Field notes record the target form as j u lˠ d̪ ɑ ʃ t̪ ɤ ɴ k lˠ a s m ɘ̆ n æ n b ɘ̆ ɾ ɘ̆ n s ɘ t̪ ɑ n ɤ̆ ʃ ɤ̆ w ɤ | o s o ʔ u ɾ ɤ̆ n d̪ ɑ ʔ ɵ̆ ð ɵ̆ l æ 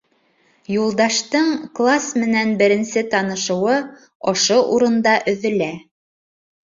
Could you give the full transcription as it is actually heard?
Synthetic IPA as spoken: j u lˠ d̪ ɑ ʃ t̪ ɤ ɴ k lˠ a s m ɘ̆ n æ n b ɘ̆ ɾ ɘ̆ n s ɘ t̪ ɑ n ɤ̆ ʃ ɤ̆ w ɤ | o ʃ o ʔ u ɾ ɤ̆ n d̪ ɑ ʔ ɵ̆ ð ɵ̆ l æ